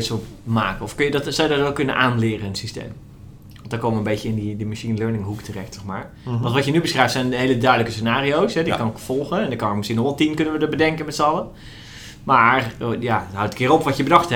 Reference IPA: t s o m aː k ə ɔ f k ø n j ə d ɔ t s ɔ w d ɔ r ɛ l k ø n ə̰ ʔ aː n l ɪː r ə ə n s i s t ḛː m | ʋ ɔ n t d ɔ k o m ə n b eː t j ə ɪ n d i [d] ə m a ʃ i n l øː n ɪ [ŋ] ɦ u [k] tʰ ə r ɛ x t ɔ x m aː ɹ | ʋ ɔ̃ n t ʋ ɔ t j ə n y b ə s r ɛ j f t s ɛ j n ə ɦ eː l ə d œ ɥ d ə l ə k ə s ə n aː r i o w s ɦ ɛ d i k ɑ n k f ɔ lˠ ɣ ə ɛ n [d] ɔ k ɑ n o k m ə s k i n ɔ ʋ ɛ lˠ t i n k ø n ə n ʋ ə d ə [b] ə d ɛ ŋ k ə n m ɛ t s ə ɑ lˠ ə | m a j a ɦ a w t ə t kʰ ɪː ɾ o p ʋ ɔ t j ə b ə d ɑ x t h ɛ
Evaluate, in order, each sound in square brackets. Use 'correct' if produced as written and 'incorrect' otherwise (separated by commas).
correct, correct, correct, correct, correct